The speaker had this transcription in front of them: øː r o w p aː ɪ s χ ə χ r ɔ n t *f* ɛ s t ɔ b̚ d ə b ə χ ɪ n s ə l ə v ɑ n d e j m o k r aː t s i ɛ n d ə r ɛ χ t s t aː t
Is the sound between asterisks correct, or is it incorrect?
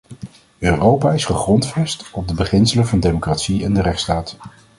correct